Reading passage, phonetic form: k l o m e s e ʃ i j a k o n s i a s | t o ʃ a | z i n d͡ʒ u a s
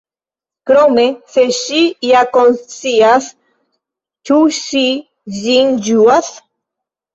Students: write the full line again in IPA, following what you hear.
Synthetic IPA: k ɾ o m e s e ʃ i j a k o n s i a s | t u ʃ i | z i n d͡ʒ u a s